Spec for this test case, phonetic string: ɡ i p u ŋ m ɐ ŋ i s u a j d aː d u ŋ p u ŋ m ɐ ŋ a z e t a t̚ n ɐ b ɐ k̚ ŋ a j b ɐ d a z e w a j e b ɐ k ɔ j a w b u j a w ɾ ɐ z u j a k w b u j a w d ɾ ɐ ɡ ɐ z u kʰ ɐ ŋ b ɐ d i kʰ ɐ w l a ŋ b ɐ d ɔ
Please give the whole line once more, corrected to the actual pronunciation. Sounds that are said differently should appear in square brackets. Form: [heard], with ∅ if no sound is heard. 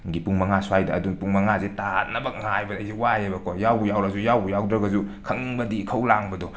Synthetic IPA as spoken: ɡ i p u ŋ m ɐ ŋ [a] s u a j d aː d u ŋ p u ŋ m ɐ ŋ a z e t a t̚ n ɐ b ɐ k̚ ŋ a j b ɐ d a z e w a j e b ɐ k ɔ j a w b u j a w ɾ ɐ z u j a [∅] w b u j a w d ɾ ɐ ɡ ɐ z u kʰ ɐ ŋ b ɐ d i kʰ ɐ w l a ŋ b ɐ d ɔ